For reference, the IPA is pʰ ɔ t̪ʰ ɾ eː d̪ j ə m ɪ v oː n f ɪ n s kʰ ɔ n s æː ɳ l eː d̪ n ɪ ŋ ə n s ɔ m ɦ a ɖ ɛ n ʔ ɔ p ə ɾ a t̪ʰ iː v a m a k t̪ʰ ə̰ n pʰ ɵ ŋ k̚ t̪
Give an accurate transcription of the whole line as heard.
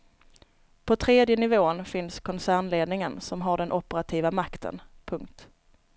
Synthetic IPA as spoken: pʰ ɔ t̪ʰ ɾ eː d̪ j ə n ɪ v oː n f ɪ n s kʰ ɔ n s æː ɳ l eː d̪ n ɪ ŋ ə n s ɔ m ɦ a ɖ ɛ n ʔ ɔ p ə ɾ a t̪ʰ iː v a m a k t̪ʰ ə̰ n pʰ ɵ ŋ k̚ t̪